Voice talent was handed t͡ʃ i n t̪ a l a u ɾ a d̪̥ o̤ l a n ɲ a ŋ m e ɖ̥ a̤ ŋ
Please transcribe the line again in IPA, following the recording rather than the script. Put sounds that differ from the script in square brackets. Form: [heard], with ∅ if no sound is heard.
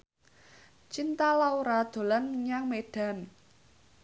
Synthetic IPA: t͡ʃ i n t̪ a l a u ɾ a d̪̥ o̤ l a n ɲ a ŋ m e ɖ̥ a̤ [n]